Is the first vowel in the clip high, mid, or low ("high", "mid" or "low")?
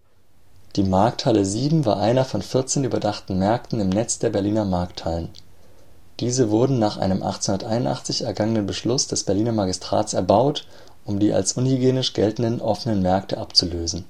high